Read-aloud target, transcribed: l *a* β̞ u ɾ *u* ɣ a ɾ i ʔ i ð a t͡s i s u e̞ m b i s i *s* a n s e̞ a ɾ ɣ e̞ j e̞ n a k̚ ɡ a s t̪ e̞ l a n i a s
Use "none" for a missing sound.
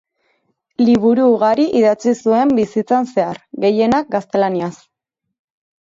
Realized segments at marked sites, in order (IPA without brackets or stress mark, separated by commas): i, uː, t͡s